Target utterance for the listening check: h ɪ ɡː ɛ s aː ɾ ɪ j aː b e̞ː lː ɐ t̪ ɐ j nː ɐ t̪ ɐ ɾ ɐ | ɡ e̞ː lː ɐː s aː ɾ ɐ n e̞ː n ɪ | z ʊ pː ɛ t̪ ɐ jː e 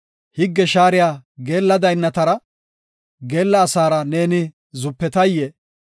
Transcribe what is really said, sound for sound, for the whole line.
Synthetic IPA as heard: h ɪ ɡː ɛ ʃ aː ɾ ɪ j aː ɡ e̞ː lː ɐ d̪ ɐ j nː ɐ t̪ ɐ ɾ ɐ | ɡ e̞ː lː ɐː s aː ɾ ɐ n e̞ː n ɪ | z ʊ pː ɛ t̪ ɐ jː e